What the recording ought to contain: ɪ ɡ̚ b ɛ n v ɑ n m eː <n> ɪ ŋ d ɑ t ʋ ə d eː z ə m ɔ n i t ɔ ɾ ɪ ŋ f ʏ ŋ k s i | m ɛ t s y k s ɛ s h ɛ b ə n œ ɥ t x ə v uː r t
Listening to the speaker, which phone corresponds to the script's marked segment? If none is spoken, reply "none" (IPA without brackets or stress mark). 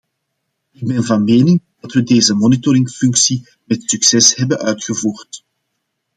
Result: n